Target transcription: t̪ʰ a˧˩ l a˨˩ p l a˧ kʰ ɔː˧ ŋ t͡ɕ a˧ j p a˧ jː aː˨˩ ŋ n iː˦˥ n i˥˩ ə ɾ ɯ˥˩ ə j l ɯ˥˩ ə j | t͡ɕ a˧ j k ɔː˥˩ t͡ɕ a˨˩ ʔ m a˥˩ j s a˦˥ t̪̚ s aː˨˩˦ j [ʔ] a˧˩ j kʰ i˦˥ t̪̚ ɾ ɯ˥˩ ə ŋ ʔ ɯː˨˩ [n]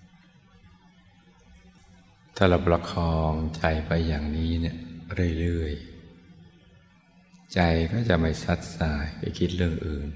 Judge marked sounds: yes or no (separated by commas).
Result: no, yes